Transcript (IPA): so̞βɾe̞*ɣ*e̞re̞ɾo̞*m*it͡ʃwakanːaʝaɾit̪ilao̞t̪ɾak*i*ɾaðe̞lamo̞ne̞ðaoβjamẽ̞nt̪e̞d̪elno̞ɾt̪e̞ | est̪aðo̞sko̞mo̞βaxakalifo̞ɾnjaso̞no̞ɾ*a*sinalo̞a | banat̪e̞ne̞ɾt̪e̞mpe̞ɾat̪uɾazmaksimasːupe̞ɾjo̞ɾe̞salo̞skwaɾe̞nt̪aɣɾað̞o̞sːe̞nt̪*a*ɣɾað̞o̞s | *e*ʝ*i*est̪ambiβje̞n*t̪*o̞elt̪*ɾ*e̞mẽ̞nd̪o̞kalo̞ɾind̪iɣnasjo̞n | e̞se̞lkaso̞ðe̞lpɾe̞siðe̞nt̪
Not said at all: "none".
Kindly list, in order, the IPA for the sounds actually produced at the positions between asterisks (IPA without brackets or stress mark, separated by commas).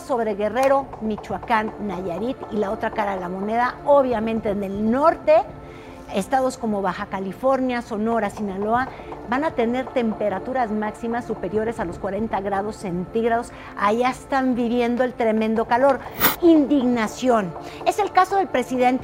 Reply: ɣ, m, a, a, i, a, a, d̪, ɾ